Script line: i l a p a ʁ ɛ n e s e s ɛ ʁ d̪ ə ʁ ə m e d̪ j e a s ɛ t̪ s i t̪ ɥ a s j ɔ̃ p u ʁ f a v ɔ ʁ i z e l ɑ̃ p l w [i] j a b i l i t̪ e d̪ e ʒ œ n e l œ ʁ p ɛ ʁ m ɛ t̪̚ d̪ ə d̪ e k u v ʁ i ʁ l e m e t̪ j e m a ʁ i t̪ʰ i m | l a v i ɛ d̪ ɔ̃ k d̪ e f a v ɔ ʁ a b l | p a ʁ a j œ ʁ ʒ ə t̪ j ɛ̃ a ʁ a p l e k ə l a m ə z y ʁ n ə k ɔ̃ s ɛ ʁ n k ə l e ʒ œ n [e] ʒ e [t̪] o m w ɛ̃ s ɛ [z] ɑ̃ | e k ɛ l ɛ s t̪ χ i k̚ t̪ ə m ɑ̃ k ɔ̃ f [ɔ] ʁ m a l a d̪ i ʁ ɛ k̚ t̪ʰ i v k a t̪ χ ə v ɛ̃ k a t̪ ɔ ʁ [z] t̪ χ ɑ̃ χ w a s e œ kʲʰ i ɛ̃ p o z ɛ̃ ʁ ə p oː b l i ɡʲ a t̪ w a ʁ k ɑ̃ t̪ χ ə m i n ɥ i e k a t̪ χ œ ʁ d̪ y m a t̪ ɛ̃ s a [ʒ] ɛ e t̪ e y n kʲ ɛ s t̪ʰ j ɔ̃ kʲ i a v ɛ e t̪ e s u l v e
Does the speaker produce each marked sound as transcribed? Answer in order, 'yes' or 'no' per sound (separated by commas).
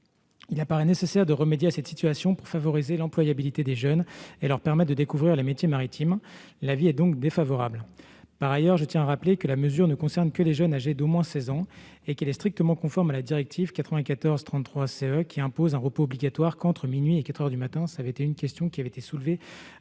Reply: no, no, no, yes, yes, yes, no